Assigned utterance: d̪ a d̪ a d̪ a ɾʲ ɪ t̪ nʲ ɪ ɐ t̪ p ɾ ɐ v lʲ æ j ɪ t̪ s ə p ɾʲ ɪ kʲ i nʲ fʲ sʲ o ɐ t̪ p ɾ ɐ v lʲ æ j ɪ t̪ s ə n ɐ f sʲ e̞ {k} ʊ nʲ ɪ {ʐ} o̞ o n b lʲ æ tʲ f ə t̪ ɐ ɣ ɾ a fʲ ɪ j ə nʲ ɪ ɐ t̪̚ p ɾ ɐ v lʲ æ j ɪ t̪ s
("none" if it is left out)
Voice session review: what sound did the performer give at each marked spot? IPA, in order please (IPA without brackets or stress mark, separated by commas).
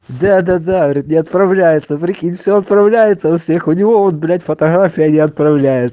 x, v